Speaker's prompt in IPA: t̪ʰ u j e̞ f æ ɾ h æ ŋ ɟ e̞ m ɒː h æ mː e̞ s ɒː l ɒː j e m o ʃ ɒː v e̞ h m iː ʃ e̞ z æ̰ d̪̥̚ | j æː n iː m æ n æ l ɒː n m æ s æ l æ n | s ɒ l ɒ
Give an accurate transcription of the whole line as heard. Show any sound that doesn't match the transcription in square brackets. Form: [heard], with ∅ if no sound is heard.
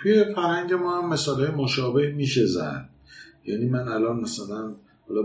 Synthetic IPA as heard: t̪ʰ u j e̞ f æ ɾ h æ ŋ ɟ e̞ m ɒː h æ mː e̞ s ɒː l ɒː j e m o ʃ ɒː [b] e̞ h m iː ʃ e̞ z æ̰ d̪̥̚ | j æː n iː m æ n æ l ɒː n m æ s æ l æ n | [h] ɒ l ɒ